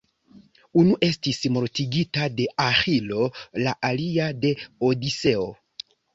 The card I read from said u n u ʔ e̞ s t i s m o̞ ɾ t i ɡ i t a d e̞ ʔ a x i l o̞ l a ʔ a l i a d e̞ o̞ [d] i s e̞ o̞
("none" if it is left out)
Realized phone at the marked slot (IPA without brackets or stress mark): d